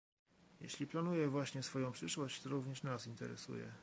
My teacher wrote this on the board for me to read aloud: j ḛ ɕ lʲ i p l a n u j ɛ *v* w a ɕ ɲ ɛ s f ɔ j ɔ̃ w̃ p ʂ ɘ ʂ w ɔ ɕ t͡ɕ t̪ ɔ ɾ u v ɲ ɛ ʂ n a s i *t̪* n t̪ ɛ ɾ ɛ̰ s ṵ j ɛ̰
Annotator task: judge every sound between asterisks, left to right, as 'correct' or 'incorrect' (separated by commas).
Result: correct, incorrect